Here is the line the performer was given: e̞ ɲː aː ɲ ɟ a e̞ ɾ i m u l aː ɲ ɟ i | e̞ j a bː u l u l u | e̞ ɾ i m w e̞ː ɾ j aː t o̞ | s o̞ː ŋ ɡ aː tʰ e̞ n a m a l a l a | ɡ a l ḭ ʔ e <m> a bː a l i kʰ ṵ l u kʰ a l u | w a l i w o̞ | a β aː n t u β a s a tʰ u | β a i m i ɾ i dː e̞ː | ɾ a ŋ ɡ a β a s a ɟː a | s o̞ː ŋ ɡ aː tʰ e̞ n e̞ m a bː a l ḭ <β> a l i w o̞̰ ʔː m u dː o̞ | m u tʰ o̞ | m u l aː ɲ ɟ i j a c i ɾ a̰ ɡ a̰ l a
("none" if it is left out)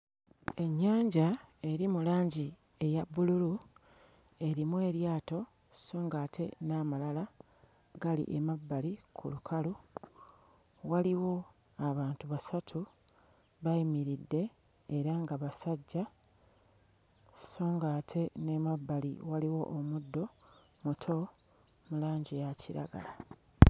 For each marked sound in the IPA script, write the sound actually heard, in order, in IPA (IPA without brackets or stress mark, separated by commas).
m, w